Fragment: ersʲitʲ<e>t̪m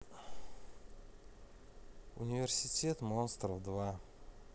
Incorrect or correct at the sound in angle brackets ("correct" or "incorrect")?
correct